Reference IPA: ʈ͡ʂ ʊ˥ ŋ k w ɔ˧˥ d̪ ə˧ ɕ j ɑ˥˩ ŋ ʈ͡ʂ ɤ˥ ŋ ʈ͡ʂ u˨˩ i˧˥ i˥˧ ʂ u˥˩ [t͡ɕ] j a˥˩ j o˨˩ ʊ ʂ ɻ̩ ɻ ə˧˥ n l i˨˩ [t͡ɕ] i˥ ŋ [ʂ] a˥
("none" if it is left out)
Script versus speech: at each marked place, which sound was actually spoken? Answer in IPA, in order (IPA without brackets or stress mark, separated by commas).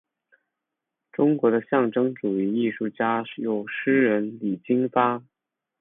t͡ɕ, t͡ɕ, f